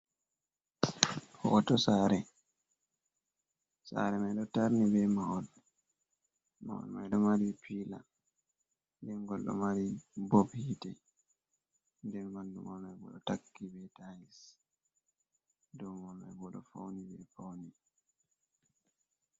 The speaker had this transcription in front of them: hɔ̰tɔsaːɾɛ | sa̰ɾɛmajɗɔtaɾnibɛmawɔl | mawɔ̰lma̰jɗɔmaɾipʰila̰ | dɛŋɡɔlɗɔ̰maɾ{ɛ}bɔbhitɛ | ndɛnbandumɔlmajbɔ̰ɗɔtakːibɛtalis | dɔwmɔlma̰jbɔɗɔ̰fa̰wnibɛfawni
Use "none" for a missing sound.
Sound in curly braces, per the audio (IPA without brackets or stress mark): i